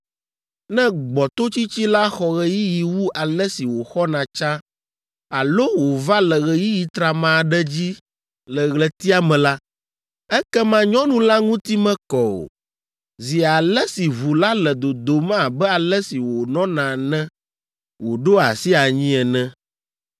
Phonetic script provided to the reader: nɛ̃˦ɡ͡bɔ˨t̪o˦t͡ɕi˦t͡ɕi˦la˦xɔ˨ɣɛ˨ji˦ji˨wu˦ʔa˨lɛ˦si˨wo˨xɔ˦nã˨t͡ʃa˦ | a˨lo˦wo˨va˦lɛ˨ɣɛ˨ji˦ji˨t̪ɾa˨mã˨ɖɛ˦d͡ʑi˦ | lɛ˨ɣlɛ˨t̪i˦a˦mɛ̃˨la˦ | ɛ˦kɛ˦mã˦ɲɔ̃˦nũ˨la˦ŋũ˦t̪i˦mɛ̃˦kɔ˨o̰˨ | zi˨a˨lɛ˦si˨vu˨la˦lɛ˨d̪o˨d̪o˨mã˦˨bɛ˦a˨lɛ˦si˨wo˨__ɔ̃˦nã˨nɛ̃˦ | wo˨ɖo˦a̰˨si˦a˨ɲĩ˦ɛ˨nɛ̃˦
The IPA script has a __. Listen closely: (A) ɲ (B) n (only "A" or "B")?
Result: B